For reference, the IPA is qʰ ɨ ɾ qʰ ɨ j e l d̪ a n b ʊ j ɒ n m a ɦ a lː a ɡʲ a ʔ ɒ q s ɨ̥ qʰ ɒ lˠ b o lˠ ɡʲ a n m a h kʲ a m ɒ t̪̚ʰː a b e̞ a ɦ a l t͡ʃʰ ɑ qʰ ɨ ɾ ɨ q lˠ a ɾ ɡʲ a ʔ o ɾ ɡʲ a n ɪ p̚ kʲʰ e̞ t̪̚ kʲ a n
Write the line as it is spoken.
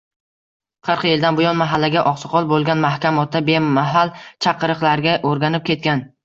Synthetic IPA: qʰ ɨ ɾ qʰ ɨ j e l d̪ a n b ʊ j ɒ n m a ɦ a lː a ɡʲ a ʔ ɒ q s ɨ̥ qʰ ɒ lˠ b o lˠ ɡʲ a n m a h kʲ a m ɒ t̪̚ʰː a b e̞ a ɦ a l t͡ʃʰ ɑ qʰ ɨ ɾ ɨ q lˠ a ɾ ɡʲ a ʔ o ɾ ɡʲ a n ɪ p̚ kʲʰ e̞ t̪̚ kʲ a n